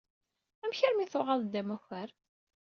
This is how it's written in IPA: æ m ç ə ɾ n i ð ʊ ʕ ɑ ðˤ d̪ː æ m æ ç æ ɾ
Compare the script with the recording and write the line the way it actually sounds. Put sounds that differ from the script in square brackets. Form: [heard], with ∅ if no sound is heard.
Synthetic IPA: æ m ç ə ɾ [m] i [θ] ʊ [ʁ] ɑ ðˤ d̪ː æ m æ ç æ ɾ